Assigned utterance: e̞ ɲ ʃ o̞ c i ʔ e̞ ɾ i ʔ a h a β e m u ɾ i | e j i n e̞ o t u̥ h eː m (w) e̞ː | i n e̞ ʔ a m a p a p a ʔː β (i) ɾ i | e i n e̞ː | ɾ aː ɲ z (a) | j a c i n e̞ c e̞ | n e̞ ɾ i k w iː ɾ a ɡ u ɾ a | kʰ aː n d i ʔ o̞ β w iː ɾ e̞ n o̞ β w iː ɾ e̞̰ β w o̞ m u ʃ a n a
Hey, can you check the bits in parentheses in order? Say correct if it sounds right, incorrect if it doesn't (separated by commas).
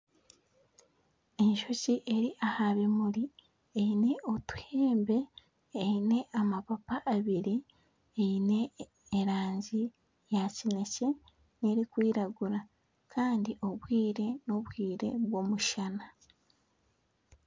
incorrect, correct, incorrect